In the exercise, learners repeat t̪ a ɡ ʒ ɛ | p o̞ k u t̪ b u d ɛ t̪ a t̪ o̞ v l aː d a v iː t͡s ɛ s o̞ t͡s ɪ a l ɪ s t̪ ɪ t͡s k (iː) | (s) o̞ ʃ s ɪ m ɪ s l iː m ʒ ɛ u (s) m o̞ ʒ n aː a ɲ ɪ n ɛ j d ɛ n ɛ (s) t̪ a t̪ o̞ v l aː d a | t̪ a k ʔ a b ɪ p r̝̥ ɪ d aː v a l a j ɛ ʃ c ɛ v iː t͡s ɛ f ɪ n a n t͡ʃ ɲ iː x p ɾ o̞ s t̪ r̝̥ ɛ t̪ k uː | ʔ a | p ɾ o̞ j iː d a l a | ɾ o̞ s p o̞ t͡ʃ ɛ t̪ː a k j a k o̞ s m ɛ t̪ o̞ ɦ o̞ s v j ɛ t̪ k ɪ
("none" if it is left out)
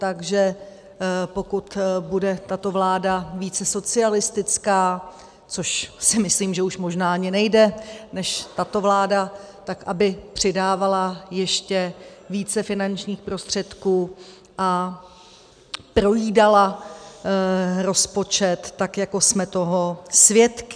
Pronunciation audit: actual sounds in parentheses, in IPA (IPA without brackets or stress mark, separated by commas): aː, t͡s, ʃ, ʃ